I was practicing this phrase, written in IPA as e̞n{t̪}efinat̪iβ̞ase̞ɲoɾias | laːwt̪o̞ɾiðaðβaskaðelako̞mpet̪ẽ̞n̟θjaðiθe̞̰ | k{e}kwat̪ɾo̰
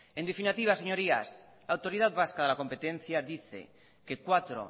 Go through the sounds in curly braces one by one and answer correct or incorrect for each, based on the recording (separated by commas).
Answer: incorrect, correct